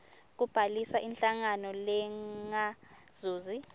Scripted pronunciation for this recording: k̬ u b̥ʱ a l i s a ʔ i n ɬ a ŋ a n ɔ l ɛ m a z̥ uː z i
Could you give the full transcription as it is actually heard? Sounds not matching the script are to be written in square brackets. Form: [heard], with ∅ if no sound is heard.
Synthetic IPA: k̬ u b̥ʱ a l i s a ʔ i n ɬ a ŋ a n ɔ l ɛ [ŋ] a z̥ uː z i